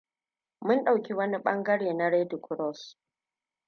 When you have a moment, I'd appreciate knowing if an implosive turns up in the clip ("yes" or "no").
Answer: yes